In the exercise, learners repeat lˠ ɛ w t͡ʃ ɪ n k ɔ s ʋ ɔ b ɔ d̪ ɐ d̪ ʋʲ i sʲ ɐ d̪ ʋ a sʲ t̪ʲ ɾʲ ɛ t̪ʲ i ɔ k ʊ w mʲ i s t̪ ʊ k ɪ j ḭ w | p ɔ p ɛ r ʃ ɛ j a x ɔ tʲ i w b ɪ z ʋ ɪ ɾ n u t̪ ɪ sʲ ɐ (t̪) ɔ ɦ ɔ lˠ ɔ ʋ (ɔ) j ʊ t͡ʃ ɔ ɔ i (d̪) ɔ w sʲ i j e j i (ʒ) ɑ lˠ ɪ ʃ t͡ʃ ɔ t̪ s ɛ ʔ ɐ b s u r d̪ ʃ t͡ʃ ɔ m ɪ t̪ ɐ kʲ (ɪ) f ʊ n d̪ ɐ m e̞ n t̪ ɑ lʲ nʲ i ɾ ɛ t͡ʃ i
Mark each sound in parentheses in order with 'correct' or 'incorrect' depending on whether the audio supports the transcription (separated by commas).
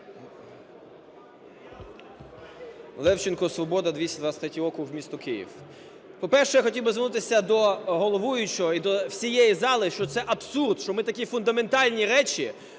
incorrect, incorrect, correct, incorrect, incorrect